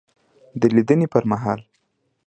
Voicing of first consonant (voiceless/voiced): voiced